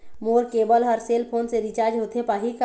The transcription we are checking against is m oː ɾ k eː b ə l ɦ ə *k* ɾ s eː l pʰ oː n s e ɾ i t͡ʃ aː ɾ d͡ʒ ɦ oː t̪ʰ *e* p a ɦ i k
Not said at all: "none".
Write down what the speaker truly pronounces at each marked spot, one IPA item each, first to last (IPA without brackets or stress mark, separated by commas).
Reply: none, e